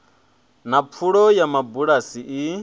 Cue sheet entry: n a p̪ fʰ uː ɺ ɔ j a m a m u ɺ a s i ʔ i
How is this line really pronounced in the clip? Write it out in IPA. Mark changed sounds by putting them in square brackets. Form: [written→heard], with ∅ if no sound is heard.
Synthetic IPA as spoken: n a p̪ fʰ [uː→u] ɺ ɔ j a m a [m→b] u ɺ a s i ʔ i